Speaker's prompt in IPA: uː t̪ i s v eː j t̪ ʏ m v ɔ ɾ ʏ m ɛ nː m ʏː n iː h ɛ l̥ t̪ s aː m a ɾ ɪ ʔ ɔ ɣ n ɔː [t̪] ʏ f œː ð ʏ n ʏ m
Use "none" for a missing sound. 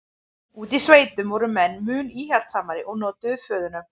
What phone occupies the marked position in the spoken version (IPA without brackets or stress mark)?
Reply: t̪